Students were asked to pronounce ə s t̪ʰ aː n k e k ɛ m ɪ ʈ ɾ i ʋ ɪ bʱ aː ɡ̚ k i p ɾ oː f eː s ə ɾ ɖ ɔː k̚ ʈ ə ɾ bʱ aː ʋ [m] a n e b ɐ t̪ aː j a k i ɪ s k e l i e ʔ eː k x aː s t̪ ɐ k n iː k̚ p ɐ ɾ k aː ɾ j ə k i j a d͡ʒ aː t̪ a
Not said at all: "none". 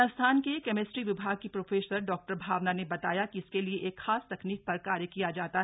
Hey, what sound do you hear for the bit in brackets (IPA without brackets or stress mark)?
n